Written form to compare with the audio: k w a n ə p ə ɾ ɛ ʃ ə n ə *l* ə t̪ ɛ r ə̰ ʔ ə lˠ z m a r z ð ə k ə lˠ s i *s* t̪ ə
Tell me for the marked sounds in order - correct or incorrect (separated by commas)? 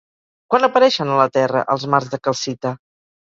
correct, incorrect